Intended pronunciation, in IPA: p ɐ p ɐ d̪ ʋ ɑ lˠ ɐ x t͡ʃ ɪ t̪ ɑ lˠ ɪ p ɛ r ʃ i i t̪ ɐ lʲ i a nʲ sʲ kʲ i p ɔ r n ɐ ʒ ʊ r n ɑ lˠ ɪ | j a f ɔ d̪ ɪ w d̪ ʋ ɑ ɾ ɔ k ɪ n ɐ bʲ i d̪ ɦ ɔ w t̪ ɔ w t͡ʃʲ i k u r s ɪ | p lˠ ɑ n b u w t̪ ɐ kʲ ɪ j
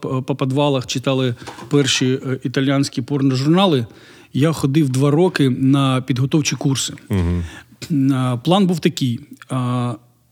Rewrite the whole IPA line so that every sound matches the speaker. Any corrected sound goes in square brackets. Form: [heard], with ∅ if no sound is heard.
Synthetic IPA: p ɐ p ɐ d̪ ʋ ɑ lˠ ɐ x t͡ʃ ɪ t̪ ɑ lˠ ɪ p ɛ r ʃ i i t̪ ɐ lʲ [j] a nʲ sʲ kʲ i p ɔ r n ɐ ʒ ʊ r n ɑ lˠ ɪ | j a [x] ɔ d̪ ɪ w d̪ ʋ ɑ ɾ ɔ k ɪ n ɐ [pʲ] i d̪ ɦ ɔ [∅] t̪ ɔ w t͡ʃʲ i k u r s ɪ | p lˠ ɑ n b u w t̪ ɐ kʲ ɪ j